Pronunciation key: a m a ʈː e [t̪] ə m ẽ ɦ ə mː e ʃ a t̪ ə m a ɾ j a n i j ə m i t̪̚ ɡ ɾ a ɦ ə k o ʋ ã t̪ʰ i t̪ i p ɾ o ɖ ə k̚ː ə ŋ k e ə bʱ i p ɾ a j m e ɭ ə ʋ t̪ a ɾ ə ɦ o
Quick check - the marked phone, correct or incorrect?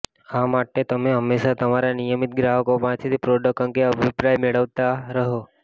correct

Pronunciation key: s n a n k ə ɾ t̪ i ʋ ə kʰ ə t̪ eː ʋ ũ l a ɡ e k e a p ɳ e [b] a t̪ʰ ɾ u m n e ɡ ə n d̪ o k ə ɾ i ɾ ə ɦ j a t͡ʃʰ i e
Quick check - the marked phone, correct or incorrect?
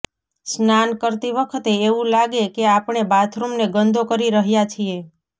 correct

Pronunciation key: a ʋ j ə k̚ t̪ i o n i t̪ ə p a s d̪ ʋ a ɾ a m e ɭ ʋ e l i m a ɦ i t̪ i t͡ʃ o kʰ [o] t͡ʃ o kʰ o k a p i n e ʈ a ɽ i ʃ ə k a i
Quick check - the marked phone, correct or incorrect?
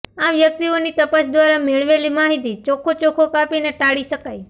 correct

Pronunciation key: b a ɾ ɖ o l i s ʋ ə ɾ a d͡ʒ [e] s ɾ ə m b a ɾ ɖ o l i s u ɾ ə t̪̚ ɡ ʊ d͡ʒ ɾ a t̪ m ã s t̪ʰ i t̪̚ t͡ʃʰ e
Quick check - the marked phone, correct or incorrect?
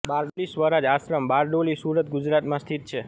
incorrect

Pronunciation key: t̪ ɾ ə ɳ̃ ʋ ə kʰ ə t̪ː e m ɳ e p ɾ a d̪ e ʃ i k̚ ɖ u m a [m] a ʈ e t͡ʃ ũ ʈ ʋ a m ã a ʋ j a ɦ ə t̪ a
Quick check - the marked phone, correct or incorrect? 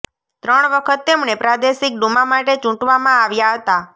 correct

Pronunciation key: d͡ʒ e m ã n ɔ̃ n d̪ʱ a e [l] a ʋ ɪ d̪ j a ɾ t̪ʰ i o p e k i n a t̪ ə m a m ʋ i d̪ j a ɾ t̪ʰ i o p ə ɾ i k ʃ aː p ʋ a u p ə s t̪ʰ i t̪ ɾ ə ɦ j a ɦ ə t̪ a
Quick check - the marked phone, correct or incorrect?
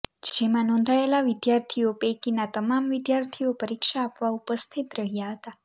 correct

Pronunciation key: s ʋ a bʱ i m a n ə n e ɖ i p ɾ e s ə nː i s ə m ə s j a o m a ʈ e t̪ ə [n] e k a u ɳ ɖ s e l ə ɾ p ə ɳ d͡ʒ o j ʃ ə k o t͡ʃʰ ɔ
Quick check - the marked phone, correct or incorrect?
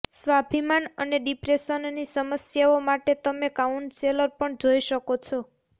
incorrect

